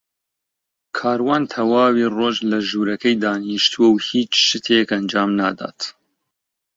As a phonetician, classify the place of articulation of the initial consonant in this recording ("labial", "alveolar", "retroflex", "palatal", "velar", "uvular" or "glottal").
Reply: velar